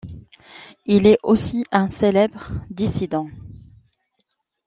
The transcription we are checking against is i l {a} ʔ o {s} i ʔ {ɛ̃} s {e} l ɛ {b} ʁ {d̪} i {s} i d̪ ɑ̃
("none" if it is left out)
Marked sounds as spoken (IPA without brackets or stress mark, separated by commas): ɛ, s, ɛ̃, e, b, d̪, s